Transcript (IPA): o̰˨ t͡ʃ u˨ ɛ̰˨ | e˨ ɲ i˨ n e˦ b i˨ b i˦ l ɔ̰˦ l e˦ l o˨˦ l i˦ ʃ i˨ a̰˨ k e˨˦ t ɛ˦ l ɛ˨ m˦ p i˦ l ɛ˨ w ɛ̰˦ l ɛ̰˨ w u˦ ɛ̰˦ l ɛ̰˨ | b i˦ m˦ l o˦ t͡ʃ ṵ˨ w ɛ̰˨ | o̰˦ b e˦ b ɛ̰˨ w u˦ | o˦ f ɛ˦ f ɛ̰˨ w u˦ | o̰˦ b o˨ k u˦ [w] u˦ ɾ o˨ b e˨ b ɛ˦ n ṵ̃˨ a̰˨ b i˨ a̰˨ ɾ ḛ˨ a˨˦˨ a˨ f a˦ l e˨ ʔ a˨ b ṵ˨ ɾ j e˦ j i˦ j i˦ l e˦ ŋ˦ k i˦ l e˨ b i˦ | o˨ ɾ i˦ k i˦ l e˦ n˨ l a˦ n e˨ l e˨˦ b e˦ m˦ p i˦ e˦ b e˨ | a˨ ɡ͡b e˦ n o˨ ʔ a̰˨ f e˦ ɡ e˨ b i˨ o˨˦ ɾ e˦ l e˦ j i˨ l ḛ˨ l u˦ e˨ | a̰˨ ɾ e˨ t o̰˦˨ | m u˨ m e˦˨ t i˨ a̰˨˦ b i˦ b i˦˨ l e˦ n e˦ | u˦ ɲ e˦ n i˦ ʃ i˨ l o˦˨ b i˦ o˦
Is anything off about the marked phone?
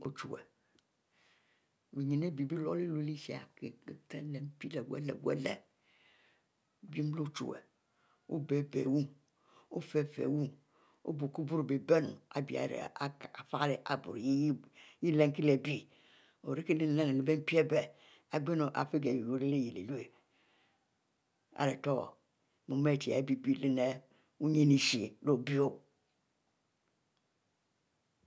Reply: yes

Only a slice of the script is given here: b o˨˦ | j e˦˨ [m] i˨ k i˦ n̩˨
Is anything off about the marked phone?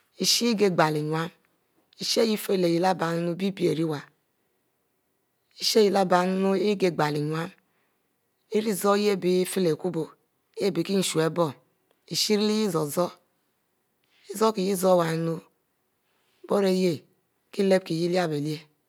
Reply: yes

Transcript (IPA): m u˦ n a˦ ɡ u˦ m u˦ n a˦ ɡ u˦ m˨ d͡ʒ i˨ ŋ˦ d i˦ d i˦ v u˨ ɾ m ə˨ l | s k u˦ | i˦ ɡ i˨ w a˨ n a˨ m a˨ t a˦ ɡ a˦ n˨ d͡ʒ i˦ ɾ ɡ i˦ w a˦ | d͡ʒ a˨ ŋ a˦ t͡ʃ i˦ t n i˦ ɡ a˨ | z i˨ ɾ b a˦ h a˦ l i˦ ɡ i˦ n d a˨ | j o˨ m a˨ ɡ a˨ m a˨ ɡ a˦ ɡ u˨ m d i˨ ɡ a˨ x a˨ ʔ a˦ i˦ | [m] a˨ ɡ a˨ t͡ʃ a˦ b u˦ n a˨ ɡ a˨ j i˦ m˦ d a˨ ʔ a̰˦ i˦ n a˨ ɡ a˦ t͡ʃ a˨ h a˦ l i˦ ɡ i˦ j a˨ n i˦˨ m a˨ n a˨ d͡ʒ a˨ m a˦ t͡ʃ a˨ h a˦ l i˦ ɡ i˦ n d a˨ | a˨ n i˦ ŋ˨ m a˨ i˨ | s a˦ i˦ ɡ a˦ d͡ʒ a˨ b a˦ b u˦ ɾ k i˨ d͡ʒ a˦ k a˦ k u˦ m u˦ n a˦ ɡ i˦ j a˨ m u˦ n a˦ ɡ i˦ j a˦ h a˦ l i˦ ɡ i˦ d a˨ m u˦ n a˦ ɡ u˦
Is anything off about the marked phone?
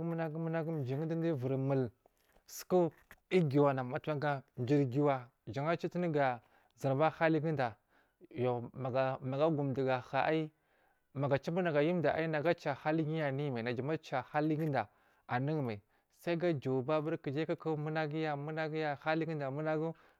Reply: no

